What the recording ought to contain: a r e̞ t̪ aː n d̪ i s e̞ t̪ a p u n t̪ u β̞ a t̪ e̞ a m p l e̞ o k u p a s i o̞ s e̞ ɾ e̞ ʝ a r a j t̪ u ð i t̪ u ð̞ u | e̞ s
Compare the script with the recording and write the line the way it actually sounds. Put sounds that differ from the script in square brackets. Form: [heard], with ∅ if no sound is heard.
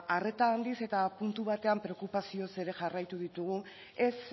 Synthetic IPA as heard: a r e̞ t̪ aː n d̪ i s e̞ t̪ a p u n t̪ u β̞ a t̪ e̞ a m p [ɾ] e̞ o k u p a s i o̞ s e̞ ɾ e̞ ʝ a r a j t̪ u ð i t̪ u [ɣ̞] u | e̞ s